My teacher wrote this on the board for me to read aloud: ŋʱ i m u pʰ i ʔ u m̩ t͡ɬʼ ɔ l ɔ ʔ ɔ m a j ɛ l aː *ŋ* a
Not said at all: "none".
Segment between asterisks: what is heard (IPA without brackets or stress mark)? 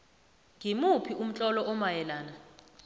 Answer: n